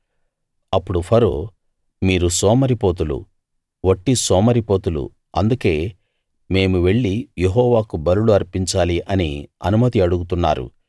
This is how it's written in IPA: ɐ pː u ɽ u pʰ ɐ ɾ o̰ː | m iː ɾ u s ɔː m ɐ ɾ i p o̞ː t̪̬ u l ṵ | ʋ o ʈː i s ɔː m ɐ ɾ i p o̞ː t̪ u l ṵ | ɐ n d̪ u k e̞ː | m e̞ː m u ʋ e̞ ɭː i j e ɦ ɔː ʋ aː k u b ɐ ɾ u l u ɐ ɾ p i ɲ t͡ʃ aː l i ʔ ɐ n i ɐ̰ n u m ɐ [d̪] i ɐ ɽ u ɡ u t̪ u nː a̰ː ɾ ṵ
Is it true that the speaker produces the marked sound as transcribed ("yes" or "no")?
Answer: no